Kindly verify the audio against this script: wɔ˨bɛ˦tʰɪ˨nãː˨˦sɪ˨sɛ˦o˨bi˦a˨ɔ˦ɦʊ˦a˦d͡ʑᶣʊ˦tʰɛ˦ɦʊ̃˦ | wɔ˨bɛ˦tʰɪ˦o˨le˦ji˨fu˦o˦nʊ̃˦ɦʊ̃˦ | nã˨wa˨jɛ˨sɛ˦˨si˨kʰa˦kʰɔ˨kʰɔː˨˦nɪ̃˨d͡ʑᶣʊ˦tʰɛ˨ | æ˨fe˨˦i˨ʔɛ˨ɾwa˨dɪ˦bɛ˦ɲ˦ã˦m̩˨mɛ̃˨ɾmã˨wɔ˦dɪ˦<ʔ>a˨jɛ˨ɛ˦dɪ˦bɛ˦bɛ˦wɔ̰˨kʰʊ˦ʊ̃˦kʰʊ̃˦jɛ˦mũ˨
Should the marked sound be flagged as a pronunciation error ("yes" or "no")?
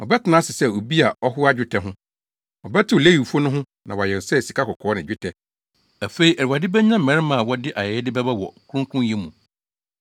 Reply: no